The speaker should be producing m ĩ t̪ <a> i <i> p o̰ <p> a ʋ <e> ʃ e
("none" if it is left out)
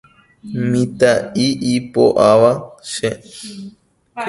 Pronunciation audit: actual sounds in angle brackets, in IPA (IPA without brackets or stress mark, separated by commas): a, i, ʔ, a